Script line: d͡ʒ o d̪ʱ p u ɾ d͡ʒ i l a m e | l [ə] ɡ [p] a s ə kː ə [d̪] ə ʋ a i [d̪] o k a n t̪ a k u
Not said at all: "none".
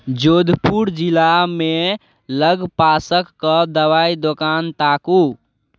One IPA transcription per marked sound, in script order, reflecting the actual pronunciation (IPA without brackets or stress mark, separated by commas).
ə, p, d̪, d̪